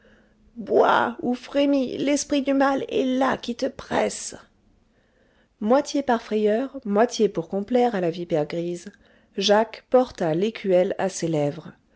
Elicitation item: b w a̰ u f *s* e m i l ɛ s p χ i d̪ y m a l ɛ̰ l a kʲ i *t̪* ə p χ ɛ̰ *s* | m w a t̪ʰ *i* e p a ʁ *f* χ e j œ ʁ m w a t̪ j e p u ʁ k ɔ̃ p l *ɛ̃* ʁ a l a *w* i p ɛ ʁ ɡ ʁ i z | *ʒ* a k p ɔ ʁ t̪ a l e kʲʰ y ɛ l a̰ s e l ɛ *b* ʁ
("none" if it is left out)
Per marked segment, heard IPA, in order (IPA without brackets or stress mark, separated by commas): χ, t̪, s, j, f, ɛ, v, ʒ, v